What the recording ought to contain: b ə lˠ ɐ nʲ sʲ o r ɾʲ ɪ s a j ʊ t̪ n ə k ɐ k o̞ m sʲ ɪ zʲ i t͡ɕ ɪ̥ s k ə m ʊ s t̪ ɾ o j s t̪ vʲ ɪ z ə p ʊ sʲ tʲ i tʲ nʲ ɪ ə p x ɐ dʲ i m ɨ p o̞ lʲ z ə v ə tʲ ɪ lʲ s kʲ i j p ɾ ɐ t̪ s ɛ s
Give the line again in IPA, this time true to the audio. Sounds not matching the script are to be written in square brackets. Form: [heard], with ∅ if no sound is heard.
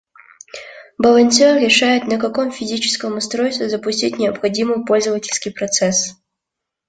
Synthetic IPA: b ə lˠ ɐ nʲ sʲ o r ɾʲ ɪ [ʂ] a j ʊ t̪ n ə k ɐ k o̞ m [fʲ] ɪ zʲ i t͡ɕ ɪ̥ s k ə m ʊ s t̪ ɾ o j s t̪ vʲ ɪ z ə p ʊ sʲ tʲ i tʲ nʲ ɪ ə p x ɐ dʲ i m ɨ p o̞ lʲ z ə v ə tʲ ɪ lʲ s kʲ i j p ɾ ɐ t̪ s ɛ s